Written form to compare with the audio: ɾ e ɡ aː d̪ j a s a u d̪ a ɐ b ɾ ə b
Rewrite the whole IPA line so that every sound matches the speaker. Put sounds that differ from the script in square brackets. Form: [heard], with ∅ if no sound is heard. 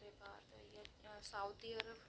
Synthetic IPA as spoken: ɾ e [b] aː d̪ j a s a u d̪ [i] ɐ [∅] ɾ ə b